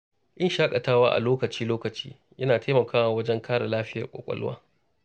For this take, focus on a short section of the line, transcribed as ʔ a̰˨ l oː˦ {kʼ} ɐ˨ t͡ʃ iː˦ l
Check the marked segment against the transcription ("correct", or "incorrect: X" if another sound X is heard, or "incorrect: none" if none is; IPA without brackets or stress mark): incorrect: k